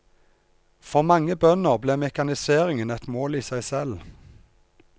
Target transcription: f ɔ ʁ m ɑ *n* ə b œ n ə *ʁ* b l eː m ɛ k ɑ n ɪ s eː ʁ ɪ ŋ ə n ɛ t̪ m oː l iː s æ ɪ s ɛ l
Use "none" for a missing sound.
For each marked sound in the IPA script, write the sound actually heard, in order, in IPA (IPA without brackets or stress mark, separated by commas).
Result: ŋ, ʁ